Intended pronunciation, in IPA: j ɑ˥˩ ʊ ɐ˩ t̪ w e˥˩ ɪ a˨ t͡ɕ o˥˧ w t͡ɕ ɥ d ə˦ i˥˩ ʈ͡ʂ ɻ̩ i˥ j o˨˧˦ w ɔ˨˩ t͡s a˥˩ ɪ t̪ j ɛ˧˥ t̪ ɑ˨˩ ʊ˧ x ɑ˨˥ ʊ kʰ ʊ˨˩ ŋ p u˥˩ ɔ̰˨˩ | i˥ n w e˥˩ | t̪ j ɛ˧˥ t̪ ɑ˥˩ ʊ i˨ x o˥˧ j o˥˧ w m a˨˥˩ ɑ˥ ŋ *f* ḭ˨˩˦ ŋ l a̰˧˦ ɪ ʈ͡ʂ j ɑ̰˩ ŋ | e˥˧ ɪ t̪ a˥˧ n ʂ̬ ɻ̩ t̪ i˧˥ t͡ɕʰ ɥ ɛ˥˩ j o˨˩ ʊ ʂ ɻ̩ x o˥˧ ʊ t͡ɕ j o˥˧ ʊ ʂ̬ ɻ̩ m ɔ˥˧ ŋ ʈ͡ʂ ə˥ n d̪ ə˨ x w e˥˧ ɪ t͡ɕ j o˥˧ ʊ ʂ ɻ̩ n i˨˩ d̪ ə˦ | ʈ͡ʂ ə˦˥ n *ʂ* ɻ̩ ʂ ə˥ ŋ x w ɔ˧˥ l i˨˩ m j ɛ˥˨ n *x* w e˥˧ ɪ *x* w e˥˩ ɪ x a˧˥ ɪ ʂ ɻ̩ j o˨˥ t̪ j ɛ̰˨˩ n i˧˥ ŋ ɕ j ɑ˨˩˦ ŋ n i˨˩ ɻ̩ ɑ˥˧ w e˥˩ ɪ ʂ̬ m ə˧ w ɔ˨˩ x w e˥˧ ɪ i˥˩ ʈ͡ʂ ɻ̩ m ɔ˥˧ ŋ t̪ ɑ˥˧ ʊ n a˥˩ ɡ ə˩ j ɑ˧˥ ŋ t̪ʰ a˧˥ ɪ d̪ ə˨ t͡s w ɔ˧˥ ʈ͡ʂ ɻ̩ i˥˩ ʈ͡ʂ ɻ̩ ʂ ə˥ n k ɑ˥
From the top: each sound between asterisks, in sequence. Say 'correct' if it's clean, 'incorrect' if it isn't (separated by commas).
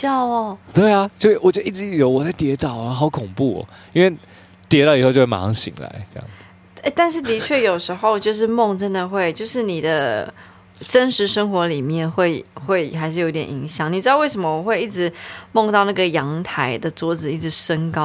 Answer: incorrect, correct, correct, correct